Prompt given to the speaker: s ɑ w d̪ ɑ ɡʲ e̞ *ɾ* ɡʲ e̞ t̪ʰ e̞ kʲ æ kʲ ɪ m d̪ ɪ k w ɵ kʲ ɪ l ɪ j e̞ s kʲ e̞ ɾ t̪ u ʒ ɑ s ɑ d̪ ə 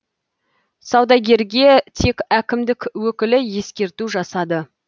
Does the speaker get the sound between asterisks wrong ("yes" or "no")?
no